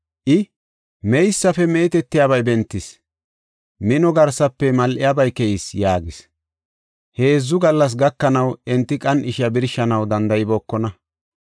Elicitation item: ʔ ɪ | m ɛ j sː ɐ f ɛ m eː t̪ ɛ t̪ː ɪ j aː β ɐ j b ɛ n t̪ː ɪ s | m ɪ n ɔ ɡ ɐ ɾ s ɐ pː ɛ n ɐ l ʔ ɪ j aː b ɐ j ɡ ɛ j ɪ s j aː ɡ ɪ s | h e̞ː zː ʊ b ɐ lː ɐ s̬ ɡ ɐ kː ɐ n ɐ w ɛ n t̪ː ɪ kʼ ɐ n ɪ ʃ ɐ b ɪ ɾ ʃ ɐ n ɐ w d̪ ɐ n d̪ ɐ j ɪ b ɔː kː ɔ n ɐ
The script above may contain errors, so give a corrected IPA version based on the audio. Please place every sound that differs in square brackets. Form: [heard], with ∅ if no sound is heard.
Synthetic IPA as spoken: ʔ ɪ | m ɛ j sː ɐ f ɛ m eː t̪ ɛ t̪ː ɪ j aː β ɐ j b ɛ n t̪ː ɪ s | m ɪ n ɔ ɡ ɐ ɾ s ɐ pː ɛ [m] ɐ l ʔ ɪ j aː b ɐ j [k] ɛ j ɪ s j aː ɡ ɪ s | h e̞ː zː ʊ [ɡ] ɐ lː ɐ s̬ ɡ ɐ kː ɐ n ɐ w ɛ n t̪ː ɪ kʼ ɐ n ɪ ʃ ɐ b ɪ ɾ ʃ ɐ n ɐ w d̪ ɐ n d̪ ɐ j ɪ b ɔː kː ɔ n ɐ

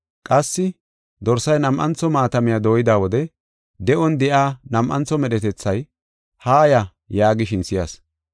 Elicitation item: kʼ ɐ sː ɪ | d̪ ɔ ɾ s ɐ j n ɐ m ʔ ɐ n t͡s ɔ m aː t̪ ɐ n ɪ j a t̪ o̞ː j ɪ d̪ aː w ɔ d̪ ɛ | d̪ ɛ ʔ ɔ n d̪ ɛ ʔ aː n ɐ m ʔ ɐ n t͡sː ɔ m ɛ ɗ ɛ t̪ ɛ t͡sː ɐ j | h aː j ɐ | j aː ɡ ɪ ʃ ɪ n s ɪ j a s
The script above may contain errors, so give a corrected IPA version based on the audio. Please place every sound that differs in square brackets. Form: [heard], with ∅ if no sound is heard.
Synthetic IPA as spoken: kʼ ɐ sː ɪ | d̪ ɔ ɾ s ɐ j n ɐ m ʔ ɐ n t͡s ɔ m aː t̪ ɐ [m] ɪ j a [d̪] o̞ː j ɪ d̪ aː w ɔ d̪ ɛ | d̪ ɛ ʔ ɔ n d̪ ɛ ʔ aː n ɐ m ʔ ɐ n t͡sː ɔ m ɛ ɗ ɛ t̪ ɛ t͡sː ɐ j | h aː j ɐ | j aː ɡ ɪ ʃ ɪ n s ɪ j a s

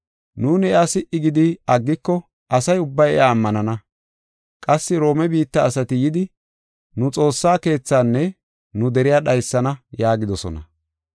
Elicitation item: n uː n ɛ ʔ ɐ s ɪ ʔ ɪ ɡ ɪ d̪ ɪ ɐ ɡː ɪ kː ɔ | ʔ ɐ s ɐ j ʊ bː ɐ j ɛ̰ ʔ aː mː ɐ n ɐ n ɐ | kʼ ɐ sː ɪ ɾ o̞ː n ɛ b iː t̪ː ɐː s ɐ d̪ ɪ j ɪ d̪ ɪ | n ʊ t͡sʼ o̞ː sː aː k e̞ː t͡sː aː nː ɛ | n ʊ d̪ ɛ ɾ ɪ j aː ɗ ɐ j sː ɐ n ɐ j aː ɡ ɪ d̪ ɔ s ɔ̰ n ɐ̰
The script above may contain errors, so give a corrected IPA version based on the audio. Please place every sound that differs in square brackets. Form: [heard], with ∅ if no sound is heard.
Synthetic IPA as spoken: n uː n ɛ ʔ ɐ s ɪ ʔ ɪ ɡ ɪ d̪ ɪ ɐ ɡː ɪ kː ɔ | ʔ ɐ s ɐ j ʊ bː ɐ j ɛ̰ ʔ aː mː ɐ n ɐ n ɐ | kʼ ɐ sː ɪ ɾ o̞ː [m] ɛ b iː t̪ː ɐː s ɐ [t̪] ɪ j ɪ d̪ ɪ | n ʊ t͡sʼ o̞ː sː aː k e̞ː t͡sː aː nː ɛ | n ʊ d̪ ɛ ɾ ɪ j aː ɗ ɐ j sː ɐ n ɐ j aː ɡ ɪ d̪ ɔ s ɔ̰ n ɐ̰

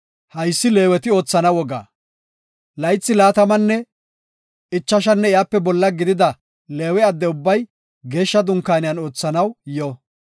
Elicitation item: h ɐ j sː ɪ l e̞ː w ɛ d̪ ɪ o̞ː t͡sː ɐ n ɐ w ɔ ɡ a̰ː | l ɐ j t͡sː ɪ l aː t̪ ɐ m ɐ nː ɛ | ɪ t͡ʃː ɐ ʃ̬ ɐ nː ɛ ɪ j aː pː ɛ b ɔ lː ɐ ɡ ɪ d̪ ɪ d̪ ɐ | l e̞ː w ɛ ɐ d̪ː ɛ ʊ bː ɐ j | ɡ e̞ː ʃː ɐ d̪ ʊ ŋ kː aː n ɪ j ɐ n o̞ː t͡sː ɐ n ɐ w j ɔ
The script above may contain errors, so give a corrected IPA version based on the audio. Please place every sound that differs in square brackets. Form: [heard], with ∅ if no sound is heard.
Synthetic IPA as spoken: h ɐ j sː ɪ l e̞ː w ɛ [t̪] ɪ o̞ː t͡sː ɐ n ɐ w ɔ ɡ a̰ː | l ɐ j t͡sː ɪ l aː t̪ ɐ m ɐ nː ɛ | ɪ t͡ʃː ɐ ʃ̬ ɐ nː ɛ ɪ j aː pː ɛ b ɔ lː ɐ ɡ ɪ d̪ ɪ d̪ ɐ | l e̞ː w ɛ ɐ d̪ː ɛ ʊ bː ɐ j | ɡ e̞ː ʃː ɐ d̪ ʊ ŋ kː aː n ɪ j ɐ n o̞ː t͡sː ɐ n ɐ w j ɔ

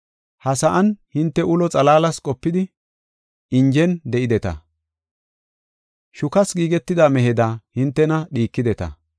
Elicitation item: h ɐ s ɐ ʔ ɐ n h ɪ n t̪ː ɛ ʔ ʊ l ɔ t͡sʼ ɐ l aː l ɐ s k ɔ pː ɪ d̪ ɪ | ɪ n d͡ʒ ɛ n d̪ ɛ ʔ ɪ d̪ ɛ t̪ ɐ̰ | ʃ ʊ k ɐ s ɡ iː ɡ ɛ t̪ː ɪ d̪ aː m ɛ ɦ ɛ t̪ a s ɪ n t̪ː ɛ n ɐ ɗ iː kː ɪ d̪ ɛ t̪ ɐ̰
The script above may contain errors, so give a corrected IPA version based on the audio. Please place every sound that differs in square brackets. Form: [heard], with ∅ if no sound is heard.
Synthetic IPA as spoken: h ɐ s ɐ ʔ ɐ n h ɪ n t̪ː ɛ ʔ ʊ l ɔ t͡sʼ ɐ l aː l ɐ s [kʼ] ɔ pː ɪ d̪ ɪ | ɪ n d͡ʒ ɛ n d̪ ɛ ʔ ɪ d̪ ɛ t̪ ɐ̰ | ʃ ʊ k ɐ s ɡ iː ɡ ɛ t̪ː ɪ d̪ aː m ɛ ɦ ɛ [d̪] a [h] ɪ n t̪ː ɛ n ɐ ɗ iː kː ɪ d̪ ɛ t̪ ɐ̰

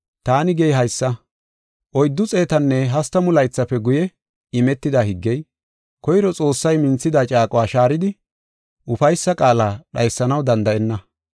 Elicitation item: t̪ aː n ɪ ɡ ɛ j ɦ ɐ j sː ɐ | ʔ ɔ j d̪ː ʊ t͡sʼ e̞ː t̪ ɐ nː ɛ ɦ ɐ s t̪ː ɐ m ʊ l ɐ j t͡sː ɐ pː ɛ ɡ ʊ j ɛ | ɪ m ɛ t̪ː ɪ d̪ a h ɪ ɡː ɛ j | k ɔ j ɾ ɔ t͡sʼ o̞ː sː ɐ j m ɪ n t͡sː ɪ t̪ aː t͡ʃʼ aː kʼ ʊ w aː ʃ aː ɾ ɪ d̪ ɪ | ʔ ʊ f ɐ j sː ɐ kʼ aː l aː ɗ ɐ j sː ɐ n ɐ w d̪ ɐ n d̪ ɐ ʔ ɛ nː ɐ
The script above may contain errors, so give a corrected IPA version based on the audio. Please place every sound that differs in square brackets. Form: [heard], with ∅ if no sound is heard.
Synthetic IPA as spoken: t̪ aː n ɪ ɡ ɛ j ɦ ɐ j sː ɐ | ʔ ɔ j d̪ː ʊ t͡sʼ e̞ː t̪ ɐ nː ɛ ɦ ɐ s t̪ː ɐ m ʊ l ɐ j t͡sː ɐ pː ɛ ɡ ʊ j ɛ | ɪ m ɛ t̪ː ɪ d̪ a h ɪ ɡː ɛ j | k ɔ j ɾ ɔ t͡sʼ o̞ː sː ɐ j m ɪ n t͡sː ɪ [d̪] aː t͡ʃʼ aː kʼ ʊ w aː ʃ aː ɾ ɪ d̪ ɪ | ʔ ʊ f ɐ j sː ɐ kʼ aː l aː ɗ ɐ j sː ɐ n ɐ w d̪ ɐ n d̪ ɐ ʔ ɛ nː ɐ

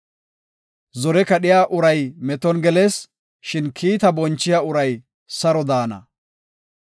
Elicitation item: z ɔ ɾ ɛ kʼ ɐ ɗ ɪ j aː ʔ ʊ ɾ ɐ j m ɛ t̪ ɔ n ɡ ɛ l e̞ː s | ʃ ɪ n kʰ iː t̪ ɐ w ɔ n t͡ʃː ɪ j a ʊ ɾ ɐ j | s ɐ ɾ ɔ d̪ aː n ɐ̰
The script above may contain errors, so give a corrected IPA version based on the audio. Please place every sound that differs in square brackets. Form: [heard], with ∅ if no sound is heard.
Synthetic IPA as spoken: z ɔ ɾ ɛ [k] ɐ ɗ ɪ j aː ʔ ʊ ɾ ɐ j m ɛ t̪ ɔ n ɡ ɛ l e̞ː s | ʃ ɪ n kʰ iː t̪ ɐ [b] ɔ n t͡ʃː ɪ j a ʊ ɾ ɐ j | s ɐ ɾ ɔ d̪ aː n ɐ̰

